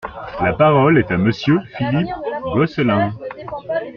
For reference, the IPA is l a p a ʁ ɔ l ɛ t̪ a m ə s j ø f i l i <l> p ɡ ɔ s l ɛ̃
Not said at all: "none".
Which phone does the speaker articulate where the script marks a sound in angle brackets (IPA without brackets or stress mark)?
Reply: none